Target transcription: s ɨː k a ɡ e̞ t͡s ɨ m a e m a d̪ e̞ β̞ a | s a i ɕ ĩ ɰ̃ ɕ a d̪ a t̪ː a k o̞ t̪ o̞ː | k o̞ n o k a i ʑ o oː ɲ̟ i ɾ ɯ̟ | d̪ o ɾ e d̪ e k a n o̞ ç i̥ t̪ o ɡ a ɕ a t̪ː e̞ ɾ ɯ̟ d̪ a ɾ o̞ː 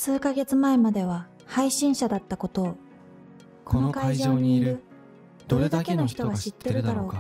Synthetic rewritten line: s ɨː k a ɡ e̞ t͡s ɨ m a e m a d̪ e̞ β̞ a | h a i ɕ ĩ ɰ̃ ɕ a d̪ a t̪ː a k o̞ t̪ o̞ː | k o̞ n o k a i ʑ o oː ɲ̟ i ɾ ɯ̟ | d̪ o ɾ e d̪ a k e n o̞ ç i̥ t̪ o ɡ a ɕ i t̪ː e̞ ɾ ɯ̟ d̪ a ɾ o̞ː

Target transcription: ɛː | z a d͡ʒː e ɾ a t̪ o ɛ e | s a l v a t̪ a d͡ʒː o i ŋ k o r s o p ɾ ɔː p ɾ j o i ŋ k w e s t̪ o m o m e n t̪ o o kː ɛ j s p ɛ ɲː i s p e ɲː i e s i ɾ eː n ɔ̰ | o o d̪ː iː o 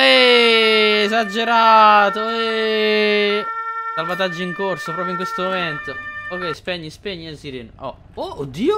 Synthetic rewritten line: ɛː | z a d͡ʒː e ɾ a t̪ o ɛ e | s a l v a t̪ a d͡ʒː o i ŋ k o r s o p ɾ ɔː p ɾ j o i ŋ k w e s t̪ o m o m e n t̪ o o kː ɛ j s p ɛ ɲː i s p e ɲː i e s i ɾ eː n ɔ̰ | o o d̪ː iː o

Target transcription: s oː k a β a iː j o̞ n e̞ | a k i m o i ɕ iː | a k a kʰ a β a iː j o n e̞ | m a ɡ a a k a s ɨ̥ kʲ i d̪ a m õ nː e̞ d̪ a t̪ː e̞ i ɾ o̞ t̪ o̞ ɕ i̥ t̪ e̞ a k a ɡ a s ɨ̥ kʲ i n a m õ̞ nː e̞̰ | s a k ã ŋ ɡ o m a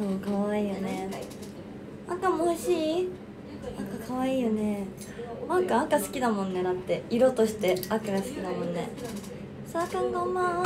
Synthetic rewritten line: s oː k a β a iː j o̞ n e̞ | a k a m o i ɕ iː | a k a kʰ a β a iː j o n e̞ | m a k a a k a s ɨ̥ kʲ i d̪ a m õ nː e̞ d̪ a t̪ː e̞ i ɾ o̞ t̪ o̞ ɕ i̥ t̪ e̞ a k a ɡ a s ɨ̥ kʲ i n a m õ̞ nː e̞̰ | s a k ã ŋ ɡ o m a

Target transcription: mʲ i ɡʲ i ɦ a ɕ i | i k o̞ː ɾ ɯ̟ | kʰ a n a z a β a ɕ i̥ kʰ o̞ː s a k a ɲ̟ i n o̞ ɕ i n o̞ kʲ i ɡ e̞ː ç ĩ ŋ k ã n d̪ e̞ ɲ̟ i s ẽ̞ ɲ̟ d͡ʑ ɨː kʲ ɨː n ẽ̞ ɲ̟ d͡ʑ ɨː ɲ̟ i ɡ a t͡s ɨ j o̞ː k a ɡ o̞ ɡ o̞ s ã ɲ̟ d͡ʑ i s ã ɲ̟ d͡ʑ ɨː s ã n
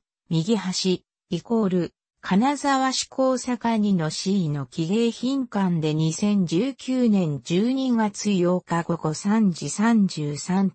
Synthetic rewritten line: mʲ i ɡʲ i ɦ a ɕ i | i k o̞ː ɾ ɯ̟ | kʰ a n a z a β a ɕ i̥ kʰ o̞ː s a k a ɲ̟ i n o̞ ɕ i n o̞ kʲ i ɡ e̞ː ç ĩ ŋ k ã n d̪ e̞ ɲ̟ i s ẽ̞ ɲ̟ d͡ʑ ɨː kʲ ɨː n ẽ̞ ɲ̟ d͡ʑ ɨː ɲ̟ i ɡ a t͡s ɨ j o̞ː k a ɡ o̞ ɡ o̞ s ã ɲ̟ d͡ʑ i s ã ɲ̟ d͡ʑ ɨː s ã n

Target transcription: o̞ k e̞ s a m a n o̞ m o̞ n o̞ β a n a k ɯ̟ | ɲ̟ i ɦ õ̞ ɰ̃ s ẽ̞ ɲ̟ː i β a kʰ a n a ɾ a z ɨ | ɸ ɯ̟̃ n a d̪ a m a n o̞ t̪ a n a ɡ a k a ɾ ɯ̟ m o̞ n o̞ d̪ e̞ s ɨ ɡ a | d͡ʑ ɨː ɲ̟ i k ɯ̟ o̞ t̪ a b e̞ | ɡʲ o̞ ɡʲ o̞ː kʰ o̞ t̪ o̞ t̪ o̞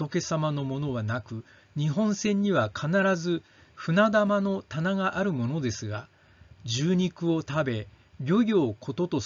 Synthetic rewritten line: o̞ k e̞ s a m a n o̞ m o̞ n o̞ β a n a k ɯ̟ | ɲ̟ i ɦ õ̞ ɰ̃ s ẽ̞ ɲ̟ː i β a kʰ a n a ɾ a z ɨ | ɸ ɯ̟ n a d̪ a m a n o̞ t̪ a n a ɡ a ʔ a ɾ ɯ̟ m o̞ n o̞ d̪ e̞ s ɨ ɡ a | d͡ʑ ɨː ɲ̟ i k ɯ̟ o̞ t̪ a b e̞ | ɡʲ o̞ ɡʲ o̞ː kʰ o̞ t̪ o̞ t̪ o̞

